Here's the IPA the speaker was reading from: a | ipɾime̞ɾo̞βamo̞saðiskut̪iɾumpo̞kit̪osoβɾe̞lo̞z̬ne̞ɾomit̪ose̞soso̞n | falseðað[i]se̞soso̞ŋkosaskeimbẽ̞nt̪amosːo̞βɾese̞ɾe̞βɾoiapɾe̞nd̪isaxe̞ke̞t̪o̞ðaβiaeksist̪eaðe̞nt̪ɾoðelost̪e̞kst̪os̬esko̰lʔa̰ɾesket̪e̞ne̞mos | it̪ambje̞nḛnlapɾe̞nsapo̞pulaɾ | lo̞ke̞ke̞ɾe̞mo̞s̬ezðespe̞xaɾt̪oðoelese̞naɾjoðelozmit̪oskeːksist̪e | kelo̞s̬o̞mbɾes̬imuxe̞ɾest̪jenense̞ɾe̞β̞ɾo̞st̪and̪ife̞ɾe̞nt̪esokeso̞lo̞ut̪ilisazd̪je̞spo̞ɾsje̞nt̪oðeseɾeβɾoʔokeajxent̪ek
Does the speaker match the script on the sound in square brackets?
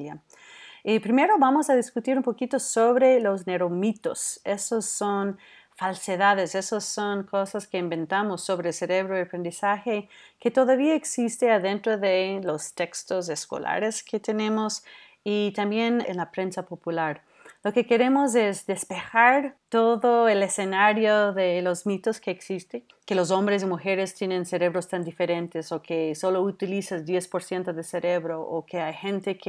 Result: no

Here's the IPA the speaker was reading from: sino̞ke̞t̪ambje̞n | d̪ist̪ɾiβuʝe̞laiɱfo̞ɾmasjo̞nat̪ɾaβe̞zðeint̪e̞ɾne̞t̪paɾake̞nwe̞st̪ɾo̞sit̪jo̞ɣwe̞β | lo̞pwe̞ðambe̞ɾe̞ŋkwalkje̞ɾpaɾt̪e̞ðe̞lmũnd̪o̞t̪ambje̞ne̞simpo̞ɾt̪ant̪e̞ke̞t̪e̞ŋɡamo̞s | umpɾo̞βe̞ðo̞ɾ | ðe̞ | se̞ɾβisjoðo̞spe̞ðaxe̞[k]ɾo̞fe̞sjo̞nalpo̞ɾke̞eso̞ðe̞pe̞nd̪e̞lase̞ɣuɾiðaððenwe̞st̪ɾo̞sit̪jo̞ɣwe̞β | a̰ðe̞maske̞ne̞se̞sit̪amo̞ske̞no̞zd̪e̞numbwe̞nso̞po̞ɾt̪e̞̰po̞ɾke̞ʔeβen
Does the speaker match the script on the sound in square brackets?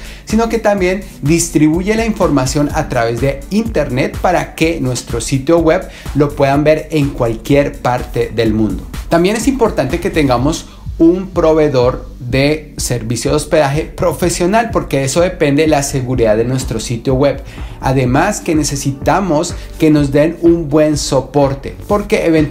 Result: no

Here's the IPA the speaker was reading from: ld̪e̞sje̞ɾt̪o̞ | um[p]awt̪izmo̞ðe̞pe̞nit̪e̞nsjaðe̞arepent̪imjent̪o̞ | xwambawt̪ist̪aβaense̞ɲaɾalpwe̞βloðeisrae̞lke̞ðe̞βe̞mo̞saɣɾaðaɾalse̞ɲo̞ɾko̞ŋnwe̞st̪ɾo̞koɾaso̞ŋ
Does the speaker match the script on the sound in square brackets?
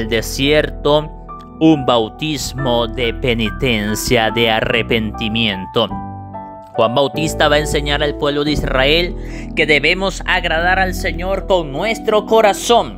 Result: no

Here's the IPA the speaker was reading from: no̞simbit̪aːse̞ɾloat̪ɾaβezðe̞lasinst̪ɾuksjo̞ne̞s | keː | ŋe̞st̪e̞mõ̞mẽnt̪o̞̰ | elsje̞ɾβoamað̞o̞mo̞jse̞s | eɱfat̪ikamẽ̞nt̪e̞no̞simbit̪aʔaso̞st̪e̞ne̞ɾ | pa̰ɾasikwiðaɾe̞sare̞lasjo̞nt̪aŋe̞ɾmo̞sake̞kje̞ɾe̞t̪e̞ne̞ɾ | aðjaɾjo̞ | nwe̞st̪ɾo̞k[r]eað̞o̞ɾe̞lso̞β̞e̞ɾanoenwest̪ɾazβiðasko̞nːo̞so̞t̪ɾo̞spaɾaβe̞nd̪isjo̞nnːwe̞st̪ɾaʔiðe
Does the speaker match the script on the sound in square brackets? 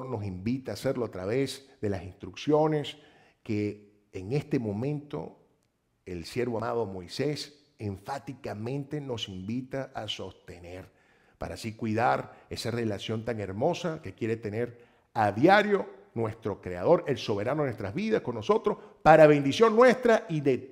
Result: no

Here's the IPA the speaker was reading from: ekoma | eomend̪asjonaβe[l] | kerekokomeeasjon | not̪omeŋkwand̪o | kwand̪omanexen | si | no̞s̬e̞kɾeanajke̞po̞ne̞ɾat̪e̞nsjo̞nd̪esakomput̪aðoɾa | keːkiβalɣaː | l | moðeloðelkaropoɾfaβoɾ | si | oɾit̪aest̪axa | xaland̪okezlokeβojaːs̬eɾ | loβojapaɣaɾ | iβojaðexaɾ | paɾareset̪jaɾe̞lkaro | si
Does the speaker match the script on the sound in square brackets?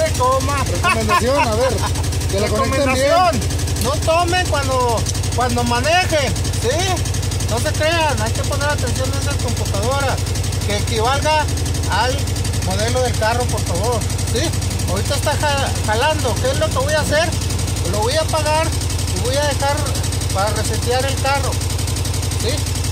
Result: no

